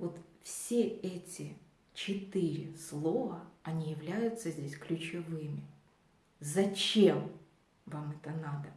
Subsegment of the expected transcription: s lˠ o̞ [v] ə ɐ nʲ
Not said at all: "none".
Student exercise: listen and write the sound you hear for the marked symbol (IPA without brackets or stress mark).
v